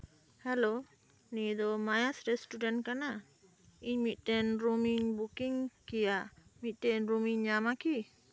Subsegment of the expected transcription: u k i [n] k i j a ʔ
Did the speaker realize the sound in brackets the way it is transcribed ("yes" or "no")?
no